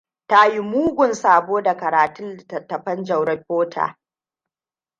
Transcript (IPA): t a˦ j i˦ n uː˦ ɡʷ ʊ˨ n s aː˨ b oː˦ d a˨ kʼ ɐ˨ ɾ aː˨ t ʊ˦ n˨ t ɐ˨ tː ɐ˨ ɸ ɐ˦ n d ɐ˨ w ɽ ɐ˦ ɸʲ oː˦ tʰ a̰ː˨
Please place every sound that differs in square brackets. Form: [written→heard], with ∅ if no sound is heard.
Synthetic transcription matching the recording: t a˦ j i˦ [n→m] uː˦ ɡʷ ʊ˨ n s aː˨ b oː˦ d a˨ [kʼ→k] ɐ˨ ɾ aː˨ t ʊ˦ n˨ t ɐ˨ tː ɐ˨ ɸ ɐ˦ n [d→d͡ʒ] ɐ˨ w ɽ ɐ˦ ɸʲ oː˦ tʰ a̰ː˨